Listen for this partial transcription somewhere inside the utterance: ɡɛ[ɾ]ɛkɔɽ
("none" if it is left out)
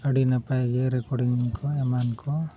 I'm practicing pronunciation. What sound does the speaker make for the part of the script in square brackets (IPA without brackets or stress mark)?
ɾ